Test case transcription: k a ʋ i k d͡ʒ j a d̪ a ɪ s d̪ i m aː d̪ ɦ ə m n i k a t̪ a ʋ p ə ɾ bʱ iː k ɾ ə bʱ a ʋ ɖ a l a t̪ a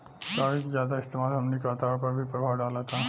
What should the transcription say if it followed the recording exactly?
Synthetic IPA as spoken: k a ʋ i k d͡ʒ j a d̪ a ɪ s t̪ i m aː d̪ ɦ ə m n i k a t̪ a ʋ p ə ɾ bʱ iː p ɾ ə bʱ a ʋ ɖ a l a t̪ a